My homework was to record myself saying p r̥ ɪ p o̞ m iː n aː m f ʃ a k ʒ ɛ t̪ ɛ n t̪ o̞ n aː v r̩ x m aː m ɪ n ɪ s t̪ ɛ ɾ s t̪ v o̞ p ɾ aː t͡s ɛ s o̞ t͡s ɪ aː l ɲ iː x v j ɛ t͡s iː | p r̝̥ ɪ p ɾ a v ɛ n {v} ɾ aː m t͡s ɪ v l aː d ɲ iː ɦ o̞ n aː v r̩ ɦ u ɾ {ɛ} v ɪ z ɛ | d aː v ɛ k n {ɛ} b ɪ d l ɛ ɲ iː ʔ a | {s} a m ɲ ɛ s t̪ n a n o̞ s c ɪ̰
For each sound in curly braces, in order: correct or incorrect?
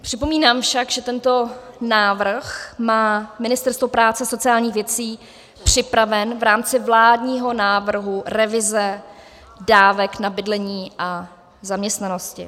correct, correct, incorrect: a, incorrect: z

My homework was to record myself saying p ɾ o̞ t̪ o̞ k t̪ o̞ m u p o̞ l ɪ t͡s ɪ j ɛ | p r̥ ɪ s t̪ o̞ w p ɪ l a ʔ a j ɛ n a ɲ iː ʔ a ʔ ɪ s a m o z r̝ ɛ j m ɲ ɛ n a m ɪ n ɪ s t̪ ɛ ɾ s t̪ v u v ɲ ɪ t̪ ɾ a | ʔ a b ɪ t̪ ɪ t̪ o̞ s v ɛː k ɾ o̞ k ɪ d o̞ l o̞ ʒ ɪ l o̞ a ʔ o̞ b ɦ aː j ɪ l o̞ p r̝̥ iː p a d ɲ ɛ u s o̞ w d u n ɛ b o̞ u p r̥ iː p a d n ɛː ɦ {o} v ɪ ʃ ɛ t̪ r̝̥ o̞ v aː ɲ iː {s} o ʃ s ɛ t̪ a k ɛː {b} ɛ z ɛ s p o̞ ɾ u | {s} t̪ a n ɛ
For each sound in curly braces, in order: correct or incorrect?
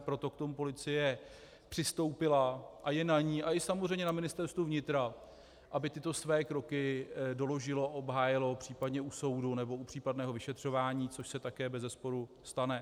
correct, incorrect: t͡s, correct, correct

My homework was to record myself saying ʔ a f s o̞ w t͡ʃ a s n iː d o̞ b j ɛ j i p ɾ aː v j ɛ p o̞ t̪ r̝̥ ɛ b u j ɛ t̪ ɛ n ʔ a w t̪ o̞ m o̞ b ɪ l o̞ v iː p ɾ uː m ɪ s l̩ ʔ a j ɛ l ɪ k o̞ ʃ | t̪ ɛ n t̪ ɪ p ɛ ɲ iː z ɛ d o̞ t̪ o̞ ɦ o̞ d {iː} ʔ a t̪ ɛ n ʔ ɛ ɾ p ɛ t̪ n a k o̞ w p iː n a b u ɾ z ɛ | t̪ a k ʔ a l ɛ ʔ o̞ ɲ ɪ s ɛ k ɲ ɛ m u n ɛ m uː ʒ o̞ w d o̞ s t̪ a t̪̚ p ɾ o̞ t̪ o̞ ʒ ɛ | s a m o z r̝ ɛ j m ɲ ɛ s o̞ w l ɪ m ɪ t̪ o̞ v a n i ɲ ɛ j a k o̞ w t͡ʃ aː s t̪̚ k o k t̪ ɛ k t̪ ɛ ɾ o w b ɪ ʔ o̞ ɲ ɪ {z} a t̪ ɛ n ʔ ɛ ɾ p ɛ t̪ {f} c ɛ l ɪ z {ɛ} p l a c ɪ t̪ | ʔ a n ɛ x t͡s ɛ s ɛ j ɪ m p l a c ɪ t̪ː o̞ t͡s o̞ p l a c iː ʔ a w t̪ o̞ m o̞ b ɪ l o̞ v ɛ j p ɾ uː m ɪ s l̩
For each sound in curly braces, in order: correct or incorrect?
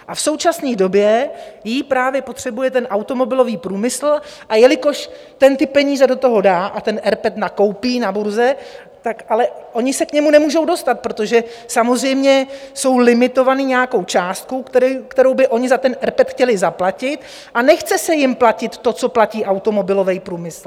incorrect: aː, correct, incorrect: x, incorrect: a

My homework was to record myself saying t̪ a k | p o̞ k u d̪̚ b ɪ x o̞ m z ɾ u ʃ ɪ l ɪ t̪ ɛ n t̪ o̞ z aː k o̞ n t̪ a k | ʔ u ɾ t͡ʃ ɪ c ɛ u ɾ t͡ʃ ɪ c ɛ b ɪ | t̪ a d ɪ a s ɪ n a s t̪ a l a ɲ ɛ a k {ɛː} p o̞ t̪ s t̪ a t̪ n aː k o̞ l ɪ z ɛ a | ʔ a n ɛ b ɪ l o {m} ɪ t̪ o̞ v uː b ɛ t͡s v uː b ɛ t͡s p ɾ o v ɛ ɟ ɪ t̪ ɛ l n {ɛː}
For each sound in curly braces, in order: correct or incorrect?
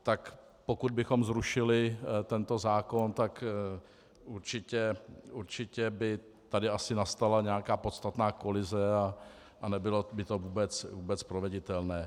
incorrect: aː, incorrect: b, correct

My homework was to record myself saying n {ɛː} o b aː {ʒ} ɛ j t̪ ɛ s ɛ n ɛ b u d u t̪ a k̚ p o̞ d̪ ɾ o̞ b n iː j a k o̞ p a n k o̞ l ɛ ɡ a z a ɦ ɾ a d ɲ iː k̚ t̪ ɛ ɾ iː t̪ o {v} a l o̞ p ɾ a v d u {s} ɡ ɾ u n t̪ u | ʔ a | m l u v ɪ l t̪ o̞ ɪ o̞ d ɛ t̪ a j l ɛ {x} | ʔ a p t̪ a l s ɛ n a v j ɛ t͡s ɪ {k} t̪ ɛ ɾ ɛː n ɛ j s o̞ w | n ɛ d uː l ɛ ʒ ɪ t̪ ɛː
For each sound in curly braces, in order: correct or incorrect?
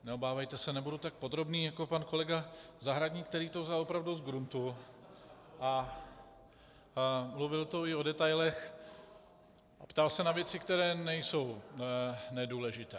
incorrect: ɛ, incorrect: v, incorrect: z, incorrect: z, correct, correct

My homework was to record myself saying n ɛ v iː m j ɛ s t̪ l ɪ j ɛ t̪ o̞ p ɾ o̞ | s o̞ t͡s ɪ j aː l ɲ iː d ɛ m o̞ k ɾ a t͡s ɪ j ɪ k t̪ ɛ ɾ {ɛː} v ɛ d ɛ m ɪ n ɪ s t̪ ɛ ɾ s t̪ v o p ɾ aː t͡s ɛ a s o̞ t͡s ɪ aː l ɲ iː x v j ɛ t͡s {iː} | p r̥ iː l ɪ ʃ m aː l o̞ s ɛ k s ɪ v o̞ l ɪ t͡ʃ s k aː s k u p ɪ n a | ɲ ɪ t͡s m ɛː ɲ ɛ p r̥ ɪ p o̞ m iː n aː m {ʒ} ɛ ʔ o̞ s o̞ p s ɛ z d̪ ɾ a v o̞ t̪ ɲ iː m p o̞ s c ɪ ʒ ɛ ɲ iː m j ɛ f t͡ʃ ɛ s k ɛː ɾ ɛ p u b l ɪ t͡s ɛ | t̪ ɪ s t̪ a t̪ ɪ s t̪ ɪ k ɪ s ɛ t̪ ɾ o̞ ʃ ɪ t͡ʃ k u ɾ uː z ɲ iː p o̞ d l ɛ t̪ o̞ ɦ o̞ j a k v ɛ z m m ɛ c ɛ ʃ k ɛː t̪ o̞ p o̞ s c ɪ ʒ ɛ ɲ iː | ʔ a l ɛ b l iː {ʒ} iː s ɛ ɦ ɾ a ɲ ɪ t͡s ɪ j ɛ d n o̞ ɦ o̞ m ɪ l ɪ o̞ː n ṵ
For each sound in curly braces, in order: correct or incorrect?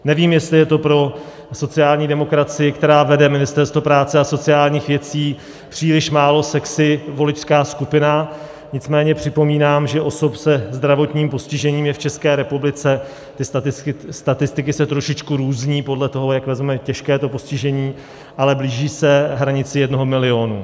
incorrect: aː, correct, correct, correct

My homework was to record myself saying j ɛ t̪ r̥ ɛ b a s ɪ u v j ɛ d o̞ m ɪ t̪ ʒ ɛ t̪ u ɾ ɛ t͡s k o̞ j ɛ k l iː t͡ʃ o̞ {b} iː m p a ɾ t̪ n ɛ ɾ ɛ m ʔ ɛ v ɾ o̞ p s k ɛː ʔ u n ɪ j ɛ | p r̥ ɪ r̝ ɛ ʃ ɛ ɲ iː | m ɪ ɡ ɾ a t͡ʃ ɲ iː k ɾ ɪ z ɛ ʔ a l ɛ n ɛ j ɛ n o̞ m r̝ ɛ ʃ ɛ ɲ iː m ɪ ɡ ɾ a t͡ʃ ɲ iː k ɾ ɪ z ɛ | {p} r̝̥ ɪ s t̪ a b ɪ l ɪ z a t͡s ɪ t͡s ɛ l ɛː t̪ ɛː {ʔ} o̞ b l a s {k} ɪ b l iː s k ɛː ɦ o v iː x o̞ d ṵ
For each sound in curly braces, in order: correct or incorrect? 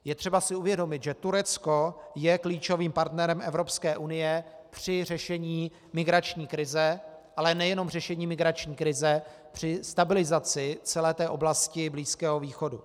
incorrect: v, correct, correct, incorrect: c

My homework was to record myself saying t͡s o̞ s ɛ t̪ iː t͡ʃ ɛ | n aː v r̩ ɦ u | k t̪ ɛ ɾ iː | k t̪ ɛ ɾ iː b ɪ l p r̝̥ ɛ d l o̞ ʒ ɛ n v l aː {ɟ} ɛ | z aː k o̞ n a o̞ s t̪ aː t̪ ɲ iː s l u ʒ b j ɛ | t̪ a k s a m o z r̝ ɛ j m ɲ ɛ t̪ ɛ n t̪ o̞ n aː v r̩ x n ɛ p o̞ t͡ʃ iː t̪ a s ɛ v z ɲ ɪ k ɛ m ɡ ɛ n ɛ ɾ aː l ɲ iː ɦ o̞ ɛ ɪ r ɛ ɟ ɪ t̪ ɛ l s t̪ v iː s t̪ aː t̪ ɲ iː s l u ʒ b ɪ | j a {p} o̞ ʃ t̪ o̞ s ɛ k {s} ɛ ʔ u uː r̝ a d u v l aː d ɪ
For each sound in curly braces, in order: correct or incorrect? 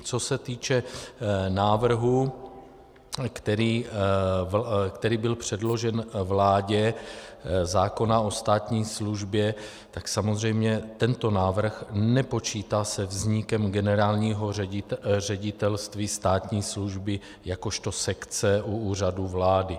correct, incorrect: k, incorrect: t͡s

